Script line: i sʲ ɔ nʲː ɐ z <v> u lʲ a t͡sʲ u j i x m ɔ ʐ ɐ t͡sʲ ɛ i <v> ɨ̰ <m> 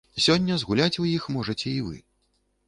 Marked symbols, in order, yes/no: no, yes, no

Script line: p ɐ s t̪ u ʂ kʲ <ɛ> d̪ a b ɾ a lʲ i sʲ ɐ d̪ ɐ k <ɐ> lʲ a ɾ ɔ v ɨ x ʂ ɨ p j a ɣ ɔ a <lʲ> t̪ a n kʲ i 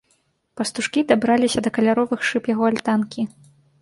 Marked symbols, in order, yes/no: no, yes, yes

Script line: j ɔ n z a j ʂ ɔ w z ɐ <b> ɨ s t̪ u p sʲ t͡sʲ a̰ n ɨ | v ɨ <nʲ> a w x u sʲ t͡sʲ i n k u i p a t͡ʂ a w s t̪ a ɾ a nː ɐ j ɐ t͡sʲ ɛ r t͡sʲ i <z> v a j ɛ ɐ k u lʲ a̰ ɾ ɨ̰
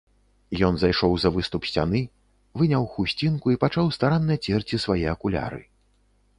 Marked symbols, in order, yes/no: no, yes, no

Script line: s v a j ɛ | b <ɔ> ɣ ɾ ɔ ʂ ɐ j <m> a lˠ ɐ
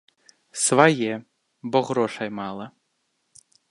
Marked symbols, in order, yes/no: yes, yes

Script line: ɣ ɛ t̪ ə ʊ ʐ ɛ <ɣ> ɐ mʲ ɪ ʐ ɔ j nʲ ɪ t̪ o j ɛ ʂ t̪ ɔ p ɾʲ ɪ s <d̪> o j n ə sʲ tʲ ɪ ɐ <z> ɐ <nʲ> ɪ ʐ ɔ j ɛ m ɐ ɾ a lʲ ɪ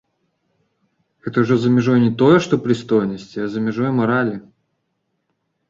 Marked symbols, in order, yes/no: no, no, yes, no

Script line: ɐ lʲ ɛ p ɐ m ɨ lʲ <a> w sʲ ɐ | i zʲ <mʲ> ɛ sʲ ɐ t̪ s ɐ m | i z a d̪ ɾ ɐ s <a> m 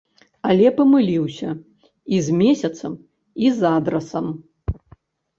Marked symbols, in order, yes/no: no, yes, no

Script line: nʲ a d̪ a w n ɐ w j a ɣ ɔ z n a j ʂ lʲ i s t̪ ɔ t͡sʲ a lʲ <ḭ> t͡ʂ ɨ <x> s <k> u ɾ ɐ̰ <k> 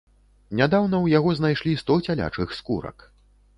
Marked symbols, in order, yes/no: no, yes, yes, yes

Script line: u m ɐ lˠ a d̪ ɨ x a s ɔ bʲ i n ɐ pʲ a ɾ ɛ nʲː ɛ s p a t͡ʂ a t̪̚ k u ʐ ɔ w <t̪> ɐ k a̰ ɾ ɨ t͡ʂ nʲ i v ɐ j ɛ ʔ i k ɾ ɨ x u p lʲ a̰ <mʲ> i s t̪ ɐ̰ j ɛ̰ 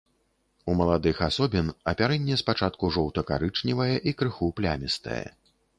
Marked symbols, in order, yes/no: yes, yes

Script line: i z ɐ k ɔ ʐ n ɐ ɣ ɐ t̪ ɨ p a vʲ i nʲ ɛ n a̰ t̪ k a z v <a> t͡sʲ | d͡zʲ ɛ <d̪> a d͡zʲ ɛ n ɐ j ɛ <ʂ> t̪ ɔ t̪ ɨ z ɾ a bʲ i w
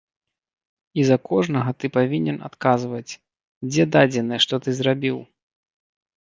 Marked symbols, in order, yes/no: no, yes, yes

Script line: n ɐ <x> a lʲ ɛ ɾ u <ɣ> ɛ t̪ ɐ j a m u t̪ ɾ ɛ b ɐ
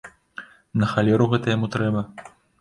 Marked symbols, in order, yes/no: yes, yes

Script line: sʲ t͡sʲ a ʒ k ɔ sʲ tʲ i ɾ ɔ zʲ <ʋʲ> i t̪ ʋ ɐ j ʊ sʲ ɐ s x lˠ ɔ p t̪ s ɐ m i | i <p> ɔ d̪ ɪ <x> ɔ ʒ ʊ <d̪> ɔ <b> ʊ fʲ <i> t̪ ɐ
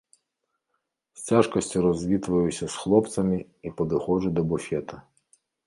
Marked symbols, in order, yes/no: yes, yes, yes, yes, yes, no

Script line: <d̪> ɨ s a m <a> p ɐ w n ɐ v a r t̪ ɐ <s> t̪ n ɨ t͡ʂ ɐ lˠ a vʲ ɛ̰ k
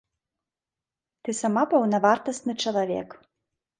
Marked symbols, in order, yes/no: no, yes, yes

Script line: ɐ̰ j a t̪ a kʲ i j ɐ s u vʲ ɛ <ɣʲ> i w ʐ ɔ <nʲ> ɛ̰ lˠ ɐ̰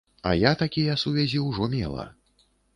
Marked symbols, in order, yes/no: no, no

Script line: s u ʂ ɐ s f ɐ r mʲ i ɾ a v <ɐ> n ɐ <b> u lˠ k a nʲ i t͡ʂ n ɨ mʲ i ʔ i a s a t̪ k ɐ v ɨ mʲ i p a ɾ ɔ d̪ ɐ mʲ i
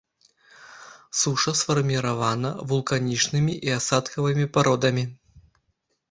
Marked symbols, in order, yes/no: no, no

